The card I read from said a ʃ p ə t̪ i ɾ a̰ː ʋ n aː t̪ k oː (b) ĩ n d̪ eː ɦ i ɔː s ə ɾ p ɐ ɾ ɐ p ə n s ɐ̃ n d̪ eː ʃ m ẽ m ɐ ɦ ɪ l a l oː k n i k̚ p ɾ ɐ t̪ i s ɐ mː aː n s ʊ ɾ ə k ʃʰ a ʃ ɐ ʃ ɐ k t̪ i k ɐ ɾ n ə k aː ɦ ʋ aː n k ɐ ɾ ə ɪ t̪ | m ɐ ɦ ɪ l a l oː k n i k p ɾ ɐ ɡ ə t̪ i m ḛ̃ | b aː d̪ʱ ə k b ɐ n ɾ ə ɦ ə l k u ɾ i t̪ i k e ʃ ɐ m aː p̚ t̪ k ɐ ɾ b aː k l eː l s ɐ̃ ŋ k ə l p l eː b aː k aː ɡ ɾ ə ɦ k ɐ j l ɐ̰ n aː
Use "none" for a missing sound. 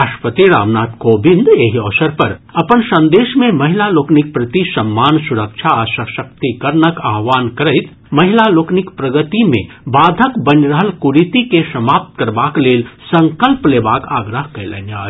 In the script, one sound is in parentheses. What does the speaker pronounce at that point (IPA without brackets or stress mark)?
b